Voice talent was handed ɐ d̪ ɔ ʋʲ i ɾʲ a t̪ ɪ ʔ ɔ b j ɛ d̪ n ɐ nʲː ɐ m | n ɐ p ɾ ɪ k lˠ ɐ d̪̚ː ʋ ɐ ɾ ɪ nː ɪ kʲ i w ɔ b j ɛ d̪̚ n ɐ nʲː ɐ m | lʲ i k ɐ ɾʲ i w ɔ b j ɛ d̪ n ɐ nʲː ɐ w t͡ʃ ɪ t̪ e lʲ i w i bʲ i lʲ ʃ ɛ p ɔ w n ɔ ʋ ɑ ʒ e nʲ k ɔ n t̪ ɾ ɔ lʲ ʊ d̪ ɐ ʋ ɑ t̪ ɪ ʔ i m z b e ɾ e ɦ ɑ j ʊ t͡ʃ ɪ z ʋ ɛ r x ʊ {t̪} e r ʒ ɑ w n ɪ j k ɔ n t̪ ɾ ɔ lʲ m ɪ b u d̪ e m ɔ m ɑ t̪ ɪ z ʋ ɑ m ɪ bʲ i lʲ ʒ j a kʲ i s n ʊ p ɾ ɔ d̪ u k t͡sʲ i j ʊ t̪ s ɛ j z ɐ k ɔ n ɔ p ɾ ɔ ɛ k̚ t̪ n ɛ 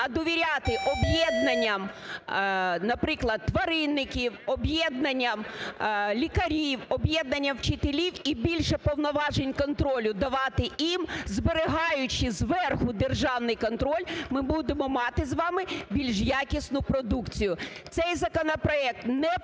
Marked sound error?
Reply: yes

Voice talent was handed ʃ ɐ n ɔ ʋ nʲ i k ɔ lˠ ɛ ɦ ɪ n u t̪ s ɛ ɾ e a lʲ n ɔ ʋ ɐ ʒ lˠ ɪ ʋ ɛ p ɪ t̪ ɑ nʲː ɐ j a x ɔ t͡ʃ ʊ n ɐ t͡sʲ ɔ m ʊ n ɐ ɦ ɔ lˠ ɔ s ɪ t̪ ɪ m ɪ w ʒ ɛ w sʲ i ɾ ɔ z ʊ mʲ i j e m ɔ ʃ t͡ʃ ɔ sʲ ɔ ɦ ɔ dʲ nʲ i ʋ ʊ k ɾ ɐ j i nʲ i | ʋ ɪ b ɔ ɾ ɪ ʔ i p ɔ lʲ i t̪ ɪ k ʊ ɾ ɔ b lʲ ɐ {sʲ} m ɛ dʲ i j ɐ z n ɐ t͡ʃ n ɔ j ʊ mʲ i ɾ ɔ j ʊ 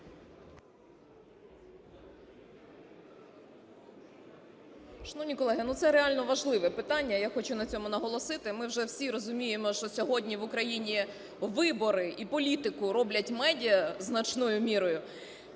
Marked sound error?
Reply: yes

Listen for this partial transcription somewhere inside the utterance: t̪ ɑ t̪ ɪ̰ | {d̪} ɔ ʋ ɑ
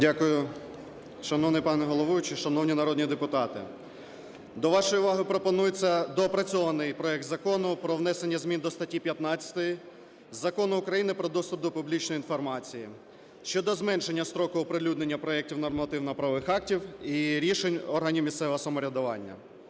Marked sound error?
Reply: no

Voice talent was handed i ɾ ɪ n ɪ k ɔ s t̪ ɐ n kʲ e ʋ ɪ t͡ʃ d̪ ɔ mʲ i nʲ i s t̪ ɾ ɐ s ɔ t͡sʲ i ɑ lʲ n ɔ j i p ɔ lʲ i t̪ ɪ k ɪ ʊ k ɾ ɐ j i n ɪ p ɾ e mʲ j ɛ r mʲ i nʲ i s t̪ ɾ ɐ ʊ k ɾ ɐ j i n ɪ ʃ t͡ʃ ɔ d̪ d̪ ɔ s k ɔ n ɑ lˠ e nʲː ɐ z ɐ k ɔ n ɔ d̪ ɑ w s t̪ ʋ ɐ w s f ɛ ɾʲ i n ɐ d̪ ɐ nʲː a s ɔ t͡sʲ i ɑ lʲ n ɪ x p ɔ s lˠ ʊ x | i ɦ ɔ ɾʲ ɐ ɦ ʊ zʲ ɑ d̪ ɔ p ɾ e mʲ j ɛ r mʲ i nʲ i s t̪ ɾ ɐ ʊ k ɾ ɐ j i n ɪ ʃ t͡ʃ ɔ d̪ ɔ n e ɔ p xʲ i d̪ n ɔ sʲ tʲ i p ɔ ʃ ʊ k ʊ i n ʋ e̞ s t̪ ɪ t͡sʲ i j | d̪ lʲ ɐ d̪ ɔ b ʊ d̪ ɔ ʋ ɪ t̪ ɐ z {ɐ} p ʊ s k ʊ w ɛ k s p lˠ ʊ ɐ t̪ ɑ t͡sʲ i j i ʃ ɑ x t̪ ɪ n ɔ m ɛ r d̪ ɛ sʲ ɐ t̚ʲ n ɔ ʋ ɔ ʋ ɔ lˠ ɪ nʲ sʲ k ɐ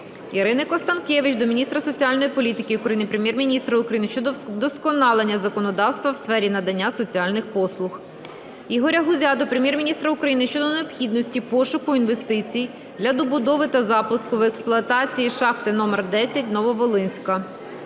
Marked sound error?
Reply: yes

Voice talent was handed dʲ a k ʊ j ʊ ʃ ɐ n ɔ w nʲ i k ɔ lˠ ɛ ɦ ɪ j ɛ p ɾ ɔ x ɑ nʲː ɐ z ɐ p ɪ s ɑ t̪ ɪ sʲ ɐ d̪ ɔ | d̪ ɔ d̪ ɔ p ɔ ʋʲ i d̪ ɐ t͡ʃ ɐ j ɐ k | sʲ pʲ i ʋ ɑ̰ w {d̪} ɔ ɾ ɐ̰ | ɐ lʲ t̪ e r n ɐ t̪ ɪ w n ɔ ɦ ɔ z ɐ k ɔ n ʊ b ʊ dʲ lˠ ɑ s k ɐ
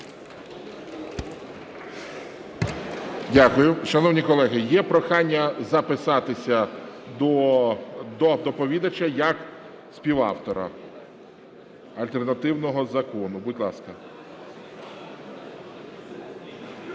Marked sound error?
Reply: yes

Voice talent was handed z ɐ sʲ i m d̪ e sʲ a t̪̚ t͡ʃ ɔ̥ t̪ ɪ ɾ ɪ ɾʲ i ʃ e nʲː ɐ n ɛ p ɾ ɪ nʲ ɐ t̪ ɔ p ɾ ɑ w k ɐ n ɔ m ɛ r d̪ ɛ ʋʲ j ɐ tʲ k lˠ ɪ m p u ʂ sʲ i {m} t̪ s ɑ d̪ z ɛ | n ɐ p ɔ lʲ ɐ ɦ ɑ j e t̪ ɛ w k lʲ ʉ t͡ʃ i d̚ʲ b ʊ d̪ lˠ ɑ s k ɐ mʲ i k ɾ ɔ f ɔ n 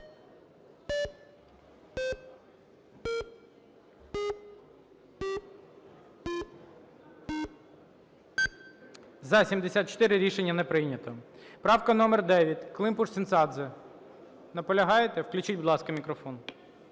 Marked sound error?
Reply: yes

